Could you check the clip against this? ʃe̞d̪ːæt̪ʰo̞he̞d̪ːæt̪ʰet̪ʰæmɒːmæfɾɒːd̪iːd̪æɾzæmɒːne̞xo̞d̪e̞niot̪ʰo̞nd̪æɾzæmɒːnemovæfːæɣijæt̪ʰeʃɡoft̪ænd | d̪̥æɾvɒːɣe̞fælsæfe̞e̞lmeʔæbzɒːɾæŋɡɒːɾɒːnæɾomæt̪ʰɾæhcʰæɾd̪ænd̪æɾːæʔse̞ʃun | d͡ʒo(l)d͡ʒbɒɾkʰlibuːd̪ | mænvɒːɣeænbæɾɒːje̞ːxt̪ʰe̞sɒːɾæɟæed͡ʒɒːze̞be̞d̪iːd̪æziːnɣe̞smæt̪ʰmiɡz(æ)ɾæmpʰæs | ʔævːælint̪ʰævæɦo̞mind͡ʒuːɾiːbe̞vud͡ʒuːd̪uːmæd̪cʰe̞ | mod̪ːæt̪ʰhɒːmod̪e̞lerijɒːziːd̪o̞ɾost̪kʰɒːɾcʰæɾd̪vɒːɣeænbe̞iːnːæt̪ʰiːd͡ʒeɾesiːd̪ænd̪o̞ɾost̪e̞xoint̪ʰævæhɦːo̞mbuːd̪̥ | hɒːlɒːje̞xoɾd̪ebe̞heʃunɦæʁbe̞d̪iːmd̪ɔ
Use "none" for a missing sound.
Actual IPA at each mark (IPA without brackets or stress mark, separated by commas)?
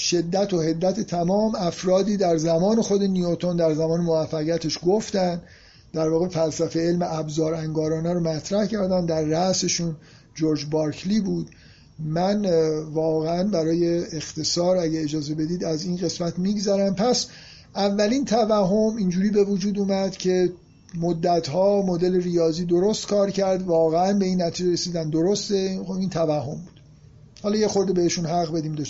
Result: ɾ, æ